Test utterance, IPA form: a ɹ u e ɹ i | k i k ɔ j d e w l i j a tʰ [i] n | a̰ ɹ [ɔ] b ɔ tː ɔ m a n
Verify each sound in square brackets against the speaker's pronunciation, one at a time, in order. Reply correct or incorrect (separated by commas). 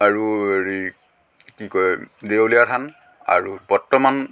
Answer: incorrect, incorrect